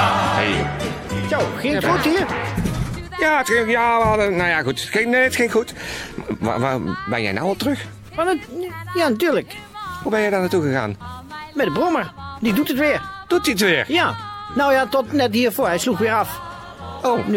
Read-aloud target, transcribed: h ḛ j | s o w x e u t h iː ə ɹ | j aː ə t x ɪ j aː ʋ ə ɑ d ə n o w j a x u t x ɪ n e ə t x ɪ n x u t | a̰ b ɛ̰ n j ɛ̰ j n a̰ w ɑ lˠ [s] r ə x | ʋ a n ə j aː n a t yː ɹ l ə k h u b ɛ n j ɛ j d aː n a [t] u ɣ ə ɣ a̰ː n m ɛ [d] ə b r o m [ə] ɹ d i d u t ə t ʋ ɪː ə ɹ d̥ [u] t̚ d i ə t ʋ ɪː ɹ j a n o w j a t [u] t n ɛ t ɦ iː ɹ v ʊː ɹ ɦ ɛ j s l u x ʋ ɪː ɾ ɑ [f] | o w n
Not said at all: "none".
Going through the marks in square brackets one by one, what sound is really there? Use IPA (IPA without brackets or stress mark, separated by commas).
t, t, d, ə, u, ɔ, f